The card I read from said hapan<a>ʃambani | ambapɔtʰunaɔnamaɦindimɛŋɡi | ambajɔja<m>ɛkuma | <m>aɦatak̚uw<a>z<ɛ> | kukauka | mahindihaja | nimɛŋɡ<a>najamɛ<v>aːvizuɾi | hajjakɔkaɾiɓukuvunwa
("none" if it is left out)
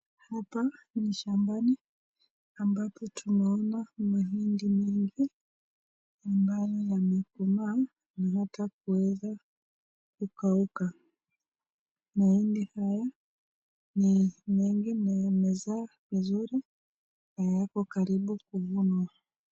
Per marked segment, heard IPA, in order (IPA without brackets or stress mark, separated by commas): i, m, n, ɛ, a, i, z